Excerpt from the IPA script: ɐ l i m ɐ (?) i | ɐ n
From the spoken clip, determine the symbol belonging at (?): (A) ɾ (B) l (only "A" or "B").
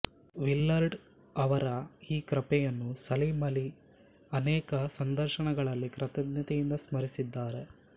B